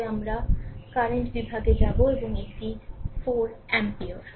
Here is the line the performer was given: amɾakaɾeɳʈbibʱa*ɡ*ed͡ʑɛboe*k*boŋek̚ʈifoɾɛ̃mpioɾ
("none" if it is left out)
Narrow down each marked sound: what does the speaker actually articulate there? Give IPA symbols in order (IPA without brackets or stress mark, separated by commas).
ɡ, none